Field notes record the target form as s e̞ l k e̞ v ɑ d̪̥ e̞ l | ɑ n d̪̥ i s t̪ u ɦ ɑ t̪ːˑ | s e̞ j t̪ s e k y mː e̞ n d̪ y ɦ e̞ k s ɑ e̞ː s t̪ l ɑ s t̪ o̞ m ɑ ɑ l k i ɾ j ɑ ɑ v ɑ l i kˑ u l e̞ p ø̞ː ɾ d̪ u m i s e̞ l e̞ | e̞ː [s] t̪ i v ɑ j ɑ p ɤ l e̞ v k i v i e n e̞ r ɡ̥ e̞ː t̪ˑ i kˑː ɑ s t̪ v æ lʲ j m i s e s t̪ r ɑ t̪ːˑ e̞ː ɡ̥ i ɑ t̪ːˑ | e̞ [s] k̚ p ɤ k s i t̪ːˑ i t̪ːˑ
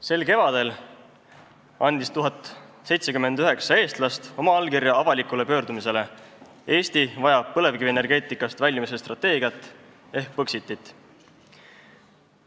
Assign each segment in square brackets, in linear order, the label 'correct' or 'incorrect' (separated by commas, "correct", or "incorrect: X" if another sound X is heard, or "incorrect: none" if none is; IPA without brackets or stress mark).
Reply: correct, incorrect: h